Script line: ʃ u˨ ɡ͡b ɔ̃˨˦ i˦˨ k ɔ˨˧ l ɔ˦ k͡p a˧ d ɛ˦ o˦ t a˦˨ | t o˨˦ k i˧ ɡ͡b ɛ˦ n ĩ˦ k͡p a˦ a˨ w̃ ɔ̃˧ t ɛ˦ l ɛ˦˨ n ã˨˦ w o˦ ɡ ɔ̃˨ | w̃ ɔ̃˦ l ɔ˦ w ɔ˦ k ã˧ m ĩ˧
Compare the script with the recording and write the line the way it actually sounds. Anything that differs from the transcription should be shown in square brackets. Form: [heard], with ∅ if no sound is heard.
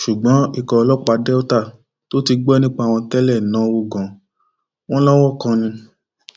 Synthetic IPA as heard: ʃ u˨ ɡ͡b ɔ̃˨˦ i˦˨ k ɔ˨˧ l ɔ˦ k͡p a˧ d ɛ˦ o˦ t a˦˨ | t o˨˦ [t] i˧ ɡ͡b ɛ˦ n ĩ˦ k͡p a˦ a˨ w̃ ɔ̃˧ t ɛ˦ l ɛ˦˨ n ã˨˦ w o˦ ɡ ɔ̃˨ | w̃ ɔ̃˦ l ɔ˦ w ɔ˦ k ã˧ [n] ĩ˧